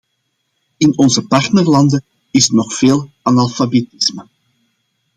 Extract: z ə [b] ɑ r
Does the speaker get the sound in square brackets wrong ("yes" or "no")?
yes